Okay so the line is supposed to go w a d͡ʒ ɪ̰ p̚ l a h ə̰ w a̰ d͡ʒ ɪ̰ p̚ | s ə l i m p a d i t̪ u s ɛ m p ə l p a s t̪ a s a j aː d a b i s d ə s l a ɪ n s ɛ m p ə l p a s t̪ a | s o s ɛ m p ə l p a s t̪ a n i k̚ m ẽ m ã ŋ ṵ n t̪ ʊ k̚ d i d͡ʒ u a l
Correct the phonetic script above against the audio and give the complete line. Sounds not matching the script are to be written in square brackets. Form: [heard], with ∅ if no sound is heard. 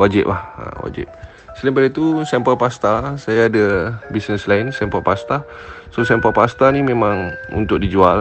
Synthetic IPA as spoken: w a d͡ʒ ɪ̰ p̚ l a h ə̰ w a̰ d͡ʒ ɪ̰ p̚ | s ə l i m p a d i t̪ u s ɛ m p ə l p a s t̪ a s a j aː d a b i s [n] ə s l a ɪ n s ɛ m p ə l p a s t̪ a | s o s ɛ m p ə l p a s t̪ a n i [∅] m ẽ m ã ŋ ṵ n t̪ ʊ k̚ d i d͡ʒ u a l